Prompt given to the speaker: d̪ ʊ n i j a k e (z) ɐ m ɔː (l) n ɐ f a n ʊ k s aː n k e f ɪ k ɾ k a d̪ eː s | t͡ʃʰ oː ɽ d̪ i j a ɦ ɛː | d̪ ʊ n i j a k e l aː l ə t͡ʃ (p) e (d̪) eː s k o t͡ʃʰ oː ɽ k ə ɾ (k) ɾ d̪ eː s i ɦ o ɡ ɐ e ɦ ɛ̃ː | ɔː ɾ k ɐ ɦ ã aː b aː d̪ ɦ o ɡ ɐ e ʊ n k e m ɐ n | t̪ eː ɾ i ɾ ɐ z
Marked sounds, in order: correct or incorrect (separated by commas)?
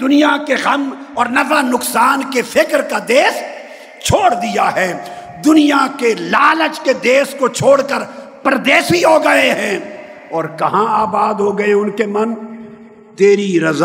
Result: incorrect, incorrect, incorrect, correct, incorrect